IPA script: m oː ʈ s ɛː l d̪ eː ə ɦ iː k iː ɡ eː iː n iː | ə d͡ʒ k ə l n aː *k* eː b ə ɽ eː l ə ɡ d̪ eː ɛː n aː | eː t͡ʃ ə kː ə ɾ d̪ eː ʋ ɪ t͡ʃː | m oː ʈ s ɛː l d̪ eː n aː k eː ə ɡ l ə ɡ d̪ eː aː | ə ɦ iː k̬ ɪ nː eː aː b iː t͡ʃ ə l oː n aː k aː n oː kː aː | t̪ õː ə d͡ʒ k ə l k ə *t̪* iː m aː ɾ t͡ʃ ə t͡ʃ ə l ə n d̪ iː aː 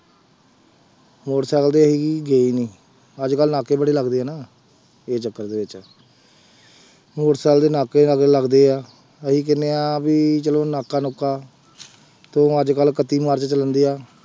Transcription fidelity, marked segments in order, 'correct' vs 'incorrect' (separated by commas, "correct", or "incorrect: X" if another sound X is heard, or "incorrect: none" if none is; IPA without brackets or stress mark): correct, correct